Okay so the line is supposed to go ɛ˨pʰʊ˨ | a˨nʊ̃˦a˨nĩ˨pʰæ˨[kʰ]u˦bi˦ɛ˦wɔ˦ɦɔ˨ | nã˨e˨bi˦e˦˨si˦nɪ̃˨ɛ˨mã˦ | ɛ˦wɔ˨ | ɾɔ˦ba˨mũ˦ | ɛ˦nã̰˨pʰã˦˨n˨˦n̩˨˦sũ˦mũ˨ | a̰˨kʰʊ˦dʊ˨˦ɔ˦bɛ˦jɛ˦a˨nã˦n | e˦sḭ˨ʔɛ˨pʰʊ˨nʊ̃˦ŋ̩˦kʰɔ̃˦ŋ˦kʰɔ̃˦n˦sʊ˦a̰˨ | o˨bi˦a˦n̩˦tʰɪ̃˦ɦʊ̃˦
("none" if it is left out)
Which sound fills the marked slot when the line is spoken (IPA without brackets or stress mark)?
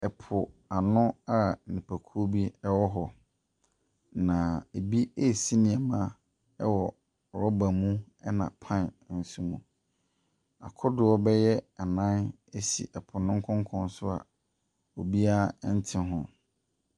kʰ